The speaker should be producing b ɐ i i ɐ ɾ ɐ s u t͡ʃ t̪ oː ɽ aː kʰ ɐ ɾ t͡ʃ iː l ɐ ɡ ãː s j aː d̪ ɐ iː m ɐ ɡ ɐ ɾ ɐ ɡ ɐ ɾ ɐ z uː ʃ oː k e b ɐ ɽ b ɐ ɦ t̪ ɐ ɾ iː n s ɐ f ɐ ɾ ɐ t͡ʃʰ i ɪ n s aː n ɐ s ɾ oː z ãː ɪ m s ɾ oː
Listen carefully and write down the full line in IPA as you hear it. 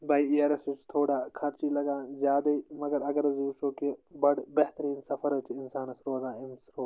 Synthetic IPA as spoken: b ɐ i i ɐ ɾ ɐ s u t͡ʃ t̪ʰ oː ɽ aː kʰ ɐ ɾ t͡ʃ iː l ɐ ɡ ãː z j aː d̪ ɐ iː m ɐ ɡ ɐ ɾ ɐ ɡ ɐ ɾ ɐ z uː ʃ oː k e b ɐ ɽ b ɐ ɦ t̪ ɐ ɾ iː n s ɐ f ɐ ɾ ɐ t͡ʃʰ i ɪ n s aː n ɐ s ɾ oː z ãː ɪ m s ɾ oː